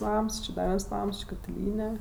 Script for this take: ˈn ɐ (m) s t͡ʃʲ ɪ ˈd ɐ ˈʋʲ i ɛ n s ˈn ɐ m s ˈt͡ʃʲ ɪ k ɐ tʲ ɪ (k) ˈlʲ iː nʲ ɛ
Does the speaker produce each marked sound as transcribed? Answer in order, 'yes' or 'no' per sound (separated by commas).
yes, no